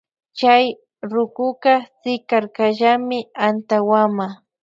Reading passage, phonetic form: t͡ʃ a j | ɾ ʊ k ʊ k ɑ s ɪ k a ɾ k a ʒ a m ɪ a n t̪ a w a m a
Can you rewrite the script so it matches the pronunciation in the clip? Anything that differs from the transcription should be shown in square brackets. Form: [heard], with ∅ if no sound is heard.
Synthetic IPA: t͡ʃ a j | ɾ ʊ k ʊ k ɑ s ɪ k a ɾ k a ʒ a m ɪ a n t̪ a w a m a